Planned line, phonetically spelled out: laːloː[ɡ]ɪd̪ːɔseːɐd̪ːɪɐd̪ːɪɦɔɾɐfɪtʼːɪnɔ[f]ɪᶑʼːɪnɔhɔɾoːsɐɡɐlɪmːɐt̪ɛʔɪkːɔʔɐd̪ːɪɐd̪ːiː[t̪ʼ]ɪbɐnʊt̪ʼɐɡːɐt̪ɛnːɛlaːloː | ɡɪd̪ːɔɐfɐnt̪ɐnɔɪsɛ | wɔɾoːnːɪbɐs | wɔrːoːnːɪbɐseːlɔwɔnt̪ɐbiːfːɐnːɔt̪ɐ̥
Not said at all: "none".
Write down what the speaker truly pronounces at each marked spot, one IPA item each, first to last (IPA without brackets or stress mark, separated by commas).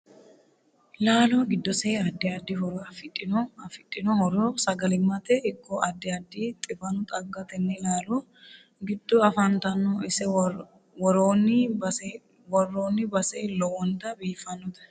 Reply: ɡ, f, t̪ʼ